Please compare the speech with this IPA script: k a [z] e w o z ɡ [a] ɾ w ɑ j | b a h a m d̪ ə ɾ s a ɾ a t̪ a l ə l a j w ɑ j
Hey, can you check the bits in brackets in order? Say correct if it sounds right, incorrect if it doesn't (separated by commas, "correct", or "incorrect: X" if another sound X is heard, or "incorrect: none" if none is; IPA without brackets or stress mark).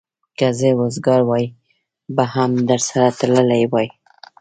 correct, incorrect: ɑ